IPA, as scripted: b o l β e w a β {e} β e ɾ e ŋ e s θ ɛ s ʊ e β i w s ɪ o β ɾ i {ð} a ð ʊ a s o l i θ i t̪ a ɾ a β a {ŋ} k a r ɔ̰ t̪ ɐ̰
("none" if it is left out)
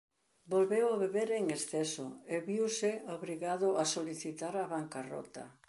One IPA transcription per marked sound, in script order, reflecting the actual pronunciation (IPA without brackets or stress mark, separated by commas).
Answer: e, ɣ, ŋ